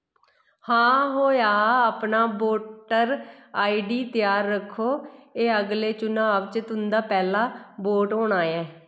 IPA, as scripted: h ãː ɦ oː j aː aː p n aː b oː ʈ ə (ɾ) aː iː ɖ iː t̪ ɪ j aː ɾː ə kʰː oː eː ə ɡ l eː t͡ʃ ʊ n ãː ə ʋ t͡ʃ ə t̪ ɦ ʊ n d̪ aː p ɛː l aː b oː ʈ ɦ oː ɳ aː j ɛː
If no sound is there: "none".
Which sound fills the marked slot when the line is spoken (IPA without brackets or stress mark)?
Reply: ɾ